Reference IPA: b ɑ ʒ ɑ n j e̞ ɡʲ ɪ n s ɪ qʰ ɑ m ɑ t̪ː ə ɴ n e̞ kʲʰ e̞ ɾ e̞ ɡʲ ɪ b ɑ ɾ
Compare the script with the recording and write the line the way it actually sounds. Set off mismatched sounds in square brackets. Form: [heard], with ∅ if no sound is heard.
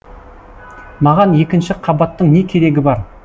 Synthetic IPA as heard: [m] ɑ [ʁ] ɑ n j e̞ [kʲ] ɪ n [ʃ] ɪ qʰ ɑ [b] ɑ t̪ː ə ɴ n e̞ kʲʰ e̞ ɾ e̞ ɡʲ ɪ b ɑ ɾ